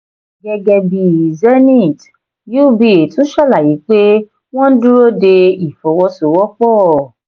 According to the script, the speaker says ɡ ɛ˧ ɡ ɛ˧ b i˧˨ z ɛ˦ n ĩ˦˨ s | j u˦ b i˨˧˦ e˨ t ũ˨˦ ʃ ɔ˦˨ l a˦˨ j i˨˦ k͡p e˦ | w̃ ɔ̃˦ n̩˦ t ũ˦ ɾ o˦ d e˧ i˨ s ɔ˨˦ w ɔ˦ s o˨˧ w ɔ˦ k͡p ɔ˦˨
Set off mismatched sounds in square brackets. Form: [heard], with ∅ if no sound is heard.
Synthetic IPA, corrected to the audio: ɡ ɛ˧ ɡ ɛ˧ b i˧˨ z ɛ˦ n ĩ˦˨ [t] | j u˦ b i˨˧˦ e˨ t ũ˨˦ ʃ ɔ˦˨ l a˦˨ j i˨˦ k͡p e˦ | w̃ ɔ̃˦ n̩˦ [d] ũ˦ ɾ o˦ d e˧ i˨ [f] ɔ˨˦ w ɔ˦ s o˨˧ w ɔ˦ k͡p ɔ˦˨